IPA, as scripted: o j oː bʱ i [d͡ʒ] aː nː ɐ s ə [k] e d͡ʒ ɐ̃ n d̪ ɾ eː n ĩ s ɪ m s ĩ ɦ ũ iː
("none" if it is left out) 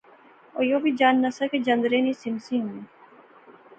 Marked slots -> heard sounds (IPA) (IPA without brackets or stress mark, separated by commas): d͡ʒ, k